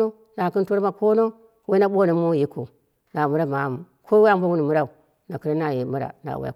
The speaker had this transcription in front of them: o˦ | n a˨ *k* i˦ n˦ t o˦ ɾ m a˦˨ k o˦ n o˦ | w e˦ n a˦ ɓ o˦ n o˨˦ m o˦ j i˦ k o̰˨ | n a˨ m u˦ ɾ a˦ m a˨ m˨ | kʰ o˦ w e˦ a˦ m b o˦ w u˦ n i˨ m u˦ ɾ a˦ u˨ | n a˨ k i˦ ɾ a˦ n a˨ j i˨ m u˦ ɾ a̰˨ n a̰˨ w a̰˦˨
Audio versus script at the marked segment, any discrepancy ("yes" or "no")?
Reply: no